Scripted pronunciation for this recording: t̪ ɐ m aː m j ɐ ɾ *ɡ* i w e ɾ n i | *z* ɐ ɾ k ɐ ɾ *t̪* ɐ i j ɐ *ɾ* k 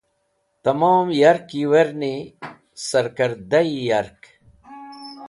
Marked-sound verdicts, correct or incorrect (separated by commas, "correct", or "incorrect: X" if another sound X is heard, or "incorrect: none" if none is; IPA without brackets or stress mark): incorrect: k, incorrect: s, incorrect: d̪, correct